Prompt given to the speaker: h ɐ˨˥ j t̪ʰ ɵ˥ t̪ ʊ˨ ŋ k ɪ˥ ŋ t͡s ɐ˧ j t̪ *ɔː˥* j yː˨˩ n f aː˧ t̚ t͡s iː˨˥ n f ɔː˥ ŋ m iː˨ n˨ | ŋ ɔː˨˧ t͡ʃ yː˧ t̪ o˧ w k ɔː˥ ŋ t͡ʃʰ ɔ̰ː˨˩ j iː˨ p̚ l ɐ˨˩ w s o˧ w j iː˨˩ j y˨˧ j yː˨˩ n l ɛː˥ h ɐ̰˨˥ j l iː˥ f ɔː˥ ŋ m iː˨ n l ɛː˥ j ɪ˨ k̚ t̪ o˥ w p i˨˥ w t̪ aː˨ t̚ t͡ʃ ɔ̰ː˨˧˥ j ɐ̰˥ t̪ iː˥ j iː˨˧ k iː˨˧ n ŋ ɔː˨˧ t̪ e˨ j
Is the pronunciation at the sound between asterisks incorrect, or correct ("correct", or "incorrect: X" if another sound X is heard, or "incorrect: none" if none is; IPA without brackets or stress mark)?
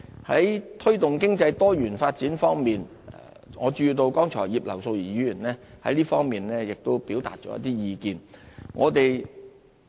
correct